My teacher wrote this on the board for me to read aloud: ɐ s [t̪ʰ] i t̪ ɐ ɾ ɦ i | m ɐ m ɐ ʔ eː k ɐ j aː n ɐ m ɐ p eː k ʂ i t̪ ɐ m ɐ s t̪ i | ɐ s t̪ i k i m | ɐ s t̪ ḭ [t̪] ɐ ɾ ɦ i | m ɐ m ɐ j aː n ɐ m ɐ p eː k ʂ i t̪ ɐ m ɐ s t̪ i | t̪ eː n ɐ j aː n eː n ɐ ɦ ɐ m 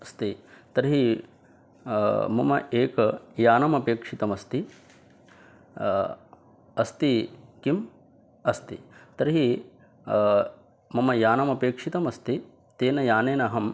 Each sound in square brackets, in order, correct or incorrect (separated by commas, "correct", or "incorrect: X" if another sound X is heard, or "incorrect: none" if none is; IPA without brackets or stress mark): incorrect: t̪, correct